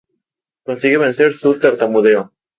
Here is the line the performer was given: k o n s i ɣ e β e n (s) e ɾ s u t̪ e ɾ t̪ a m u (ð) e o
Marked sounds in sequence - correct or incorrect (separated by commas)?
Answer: correct, correct